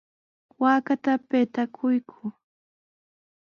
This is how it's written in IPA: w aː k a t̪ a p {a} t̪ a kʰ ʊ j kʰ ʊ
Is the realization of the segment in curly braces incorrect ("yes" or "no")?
yes